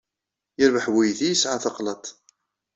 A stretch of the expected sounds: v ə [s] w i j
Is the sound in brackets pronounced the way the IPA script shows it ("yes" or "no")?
no